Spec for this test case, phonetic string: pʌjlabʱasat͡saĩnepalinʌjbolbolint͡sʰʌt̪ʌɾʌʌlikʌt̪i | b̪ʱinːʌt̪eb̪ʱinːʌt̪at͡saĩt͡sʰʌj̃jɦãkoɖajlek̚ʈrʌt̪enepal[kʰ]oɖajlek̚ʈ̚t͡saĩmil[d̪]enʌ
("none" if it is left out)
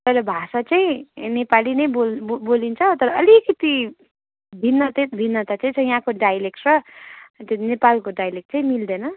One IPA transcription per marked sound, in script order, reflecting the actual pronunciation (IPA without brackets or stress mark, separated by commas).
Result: k, d̪